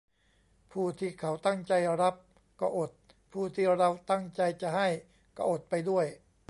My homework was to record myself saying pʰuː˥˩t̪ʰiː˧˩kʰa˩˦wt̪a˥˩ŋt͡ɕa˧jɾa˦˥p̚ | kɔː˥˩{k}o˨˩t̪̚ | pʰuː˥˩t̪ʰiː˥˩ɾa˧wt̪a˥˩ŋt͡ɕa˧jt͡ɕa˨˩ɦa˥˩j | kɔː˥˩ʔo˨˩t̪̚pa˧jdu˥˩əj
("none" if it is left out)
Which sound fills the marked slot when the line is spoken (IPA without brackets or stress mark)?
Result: ʔ